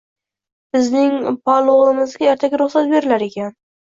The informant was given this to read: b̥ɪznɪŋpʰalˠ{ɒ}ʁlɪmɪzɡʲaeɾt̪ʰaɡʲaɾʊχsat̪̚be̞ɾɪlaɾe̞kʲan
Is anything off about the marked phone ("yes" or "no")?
yes